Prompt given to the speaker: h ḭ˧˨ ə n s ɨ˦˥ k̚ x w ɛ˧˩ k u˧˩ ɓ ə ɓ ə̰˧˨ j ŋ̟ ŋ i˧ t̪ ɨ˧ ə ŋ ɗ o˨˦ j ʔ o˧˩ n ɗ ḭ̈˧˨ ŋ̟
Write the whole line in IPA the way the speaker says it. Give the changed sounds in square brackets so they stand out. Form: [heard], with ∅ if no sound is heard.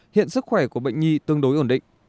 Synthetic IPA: h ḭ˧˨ ə n s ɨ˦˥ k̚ x w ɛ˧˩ k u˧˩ [∅] ə ɓ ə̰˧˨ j ŋ̟ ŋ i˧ t̪ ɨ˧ ə ŋ ɗ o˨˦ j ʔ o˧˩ n ɗ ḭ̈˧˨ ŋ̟